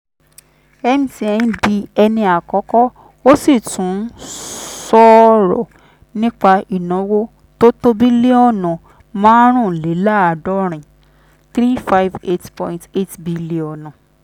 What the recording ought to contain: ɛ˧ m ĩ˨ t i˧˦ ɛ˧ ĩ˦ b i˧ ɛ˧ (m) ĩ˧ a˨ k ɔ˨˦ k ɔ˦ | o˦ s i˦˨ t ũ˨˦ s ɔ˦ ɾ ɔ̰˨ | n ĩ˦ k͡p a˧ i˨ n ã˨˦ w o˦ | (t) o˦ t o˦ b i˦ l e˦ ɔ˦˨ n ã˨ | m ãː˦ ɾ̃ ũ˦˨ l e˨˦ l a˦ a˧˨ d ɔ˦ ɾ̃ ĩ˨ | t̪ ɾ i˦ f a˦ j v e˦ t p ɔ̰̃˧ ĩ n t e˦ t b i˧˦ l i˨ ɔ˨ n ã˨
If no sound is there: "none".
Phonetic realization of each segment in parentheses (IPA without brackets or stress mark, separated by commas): n, t